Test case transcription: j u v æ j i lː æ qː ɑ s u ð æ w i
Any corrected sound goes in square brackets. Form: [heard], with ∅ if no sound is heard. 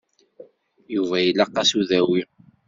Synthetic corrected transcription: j u v æ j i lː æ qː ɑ s u ð æ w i